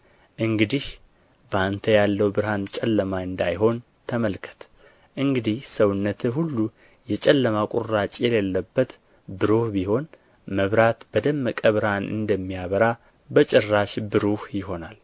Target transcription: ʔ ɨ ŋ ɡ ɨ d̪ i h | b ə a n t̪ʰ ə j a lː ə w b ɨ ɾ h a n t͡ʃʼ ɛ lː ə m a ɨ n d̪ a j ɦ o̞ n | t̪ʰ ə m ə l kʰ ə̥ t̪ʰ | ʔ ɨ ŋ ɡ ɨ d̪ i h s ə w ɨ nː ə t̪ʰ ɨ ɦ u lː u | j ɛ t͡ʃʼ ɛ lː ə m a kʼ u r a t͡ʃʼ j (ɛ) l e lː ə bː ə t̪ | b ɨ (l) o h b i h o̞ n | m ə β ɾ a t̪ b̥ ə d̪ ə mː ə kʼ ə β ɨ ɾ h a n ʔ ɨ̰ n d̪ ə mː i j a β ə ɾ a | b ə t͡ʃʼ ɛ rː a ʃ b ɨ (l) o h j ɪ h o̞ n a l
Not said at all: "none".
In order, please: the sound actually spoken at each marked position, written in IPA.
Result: ɛ, ɾ, ɾ

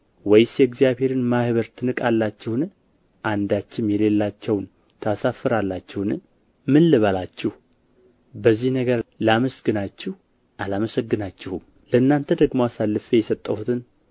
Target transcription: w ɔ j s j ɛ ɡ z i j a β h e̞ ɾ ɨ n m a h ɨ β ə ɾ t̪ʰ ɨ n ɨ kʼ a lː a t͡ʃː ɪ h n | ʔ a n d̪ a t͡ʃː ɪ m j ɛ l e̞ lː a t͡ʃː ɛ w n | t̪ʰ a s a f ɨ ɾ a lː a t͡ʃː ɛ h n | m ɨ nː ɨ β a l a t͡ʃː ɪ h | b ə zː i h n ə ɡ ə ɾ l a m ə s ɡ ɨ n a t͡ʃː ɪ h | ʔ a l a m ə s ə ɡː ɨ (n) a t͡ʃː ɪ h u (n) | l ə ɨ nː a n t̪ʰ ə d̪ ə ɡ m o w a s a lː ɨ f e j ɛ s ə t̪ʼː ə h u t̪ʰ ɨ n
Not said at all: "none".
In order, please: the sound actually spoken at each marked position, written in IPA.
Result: n, m

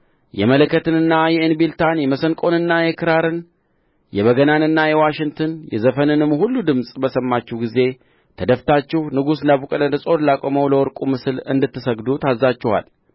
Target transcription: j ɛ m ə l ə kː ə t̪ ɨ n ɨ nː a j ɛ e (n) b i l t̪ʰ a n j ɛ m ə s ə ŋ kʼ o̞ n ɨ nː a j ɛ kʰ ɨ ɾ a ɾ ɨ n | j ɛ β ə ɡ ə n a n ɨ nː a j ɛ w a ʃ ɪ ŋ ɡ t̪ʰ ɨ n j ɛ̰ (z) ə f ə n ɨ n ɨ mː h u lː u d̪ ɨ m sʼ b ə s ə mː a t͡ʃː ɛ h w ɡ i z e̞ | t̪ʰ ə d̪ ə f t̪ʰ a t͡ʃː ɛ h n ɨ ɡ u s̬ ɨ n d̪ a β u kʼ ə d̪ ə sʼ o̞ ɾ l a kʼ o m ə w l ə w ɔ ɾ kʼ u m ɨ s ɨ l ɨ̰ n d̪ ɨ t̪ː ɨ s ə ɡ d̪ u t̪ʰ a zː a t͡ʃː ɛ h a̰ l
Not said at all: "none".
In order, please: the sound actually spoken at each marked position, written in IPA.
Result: n, z

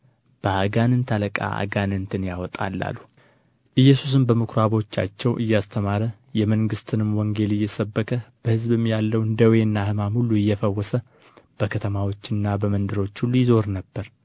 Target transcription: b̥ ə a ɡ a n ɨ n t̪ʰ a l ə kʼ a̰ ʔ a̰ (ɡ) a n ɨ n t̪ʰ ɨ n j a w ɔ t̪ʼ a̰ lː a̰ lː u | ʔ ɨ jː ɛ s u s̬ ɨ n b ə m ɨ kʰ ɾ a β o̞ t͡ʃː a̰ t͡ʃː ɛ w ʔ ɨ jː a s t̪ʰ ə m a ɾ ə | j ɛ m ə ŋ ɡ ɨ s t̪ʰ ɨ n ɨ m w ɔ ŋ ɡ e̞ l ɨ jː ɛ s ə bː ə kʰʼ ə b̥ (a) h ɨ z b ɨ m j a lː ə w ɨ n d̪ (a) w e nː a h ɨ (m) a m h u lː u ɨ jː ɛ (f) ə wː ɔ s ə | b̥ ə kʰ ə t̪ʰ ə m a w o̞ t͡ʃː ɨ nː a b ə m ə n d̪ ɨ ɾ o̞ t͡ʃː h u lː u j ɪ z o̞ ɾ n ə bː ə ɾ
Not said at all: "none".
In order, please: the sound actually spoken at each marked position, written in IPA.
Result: ɡ, ə, ə, m, f

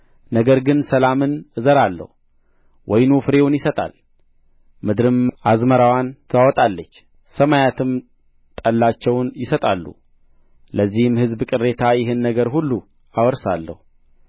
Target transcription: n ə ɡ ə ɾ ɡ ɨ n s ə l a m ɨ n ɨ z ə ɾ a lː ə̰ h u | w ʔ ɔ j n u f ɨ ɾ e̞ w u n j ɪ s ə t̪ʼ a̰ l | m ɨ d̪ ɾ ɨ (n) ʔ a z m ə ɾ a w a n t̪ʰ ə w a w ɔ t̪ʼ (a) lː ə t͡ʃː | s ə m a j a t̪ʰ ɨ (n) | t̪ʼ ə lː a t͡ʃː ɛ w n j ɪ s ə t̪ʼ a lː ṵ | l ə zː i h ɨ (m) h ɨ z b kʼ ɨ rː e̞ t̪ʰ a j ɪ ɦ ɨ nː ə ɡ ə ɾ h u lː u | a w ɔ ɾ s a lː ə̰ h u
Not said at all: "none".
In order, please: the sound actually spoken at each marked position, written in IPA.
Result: m, a, m, m

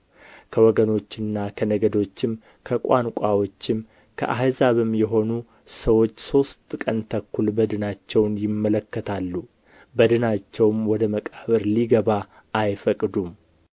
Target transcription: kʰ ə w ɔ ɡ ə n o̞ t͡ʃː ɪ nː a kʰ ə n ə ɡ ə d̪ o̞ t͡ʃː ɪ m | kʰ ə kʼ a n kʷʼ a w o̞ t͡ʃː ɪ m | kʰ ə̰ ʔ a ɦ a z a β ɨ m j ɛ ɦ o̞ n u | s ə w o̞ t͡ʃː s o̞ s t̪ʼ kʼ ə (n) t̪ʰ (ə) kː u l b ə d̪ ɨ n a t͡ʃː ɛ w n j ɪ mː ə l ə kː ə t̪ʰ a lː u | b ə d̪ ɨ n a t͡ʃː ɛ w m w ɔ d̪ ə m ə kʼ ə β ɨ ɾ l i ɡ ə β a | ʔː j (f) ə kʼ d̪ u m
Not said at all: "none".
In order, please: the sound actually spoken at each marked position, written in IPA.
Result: n, ə, f

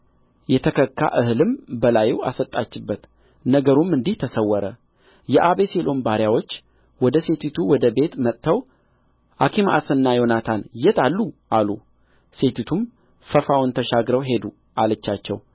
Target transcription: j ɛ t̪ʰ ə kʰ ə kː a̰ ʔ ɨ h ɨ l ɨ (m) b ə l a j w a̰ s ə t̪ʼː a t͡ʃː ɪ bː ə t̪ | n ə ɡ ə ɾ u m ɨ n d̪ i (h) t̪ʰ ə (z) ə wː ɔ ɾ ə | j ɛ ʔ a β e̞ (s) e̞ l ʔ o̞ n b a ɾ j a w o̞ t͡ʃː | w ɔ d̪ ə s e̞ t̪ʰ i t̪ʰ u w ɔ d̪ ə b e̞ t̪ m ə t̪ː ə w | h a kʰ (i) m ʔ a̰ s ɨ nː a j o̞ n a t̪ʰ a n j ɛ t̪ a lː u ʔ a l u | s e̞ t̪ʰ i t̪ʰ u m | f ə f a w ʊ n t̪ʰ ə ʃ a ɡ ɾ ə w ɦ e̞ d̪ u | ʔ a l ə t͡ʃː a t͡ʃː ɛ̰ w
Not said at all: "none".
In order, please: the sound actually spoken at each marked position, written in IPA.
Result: m, h, s, s, i

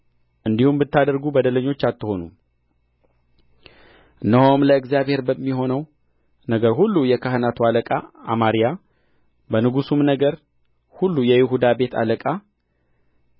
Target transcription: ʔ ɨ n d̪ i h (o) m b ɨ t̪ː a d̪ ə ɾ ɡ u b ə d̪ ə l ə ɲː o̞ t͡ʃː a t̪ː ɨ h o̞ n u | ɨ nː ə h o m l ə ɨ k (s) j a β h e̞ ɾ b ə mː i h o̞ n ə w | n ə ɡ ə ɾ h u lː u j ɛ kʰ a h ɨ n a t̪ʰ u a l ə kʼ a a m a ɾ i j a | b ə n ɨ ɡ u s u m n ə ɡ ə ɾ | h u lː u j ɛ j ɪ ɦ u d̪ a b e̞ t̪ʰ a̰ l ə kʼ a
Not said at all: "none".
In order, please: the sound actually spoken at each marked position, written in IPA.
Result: u, z

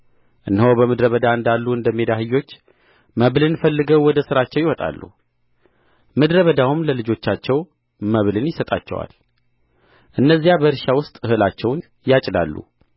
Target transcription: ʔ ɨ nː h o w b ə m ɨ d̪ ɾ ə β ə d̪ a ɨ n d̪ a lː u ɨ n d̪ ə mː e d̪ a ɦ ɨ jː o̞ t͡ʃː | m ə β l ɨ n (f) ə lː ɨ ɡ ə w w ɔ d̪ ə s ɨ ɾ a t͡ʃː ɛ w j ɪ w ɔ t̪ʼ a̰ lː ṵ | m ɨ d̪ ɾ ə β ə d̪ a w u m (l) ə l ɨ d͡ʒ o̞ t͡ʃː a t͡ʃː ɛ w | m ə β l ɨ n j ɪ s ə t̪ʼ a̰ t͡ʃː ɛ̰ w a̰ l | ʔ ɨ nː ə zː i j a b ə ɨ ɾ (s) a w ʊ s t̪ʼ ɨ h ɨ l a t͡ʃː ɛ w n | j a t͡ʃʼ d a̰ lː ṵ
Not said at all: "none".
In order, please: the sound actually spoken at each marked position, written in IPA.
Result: f, l, ʃ

